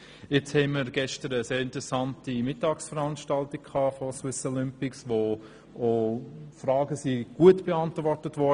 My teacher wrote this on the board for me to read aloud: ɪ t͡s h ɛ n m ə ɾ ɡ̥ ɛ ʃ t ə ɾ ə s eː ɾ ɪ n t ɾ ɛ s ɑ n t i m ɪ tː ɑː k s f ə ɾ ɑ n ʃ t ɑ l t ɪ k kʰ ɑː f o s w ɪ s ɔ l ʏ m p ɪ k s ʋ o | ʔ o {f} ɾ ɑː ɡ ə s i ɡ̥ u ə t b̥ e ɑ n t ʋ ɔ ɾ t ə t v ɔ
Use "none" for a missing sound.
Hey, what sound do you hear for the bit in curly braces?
f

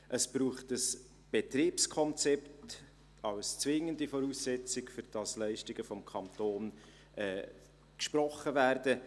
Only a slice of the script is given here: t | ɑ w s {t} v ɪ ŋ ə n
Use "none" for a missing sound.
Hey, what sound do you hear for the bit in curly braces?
t͡s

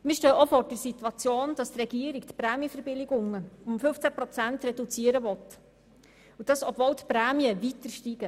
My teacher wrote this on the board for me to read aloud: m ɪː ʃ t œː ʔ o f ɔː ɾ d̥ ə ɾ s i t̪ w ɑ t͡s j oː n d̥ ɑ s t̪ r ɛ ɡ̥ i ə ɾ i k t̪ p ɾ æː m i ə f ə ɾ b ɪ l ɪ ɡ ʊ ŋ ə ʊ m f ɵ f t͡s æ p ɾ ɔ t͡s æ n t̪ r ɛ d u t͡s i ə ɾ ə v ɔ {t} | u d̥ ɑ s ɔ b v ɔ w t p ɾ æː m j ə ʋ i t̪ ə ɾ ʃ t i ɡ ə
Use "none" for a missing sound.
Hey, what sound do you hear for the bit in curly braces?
t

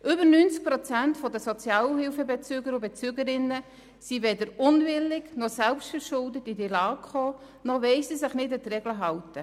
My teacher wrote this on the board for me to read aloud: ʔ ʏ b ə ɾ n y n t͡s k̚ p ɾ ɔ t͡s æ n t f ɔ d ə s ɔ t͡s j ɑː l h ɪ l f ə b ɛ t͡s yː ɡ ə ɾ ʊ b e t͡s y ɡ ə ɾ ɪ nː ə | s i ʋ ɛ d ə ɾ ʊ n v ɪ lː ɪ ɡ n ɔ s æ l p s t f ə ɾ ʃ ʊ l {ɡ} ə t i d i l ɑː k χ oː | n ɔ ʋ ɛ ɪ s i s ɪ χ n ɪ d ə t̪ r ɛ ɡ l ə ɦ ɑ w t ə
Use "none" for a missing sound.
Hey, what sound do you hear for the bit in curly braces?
d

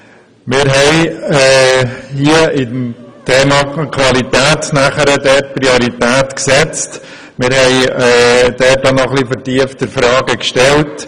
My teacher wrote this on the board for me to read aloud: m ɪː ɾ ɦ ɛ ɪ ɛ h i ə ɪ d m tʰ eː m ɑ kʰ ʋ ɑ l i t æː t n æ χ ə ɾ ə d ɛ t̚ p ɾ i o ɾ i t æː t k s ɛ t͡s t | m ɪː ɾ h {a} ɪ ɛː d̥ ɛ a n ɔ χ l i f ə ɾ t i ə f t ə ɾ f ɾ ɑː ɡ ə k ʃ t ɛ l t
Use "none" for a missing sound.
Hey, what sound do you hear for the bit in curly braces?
ɛ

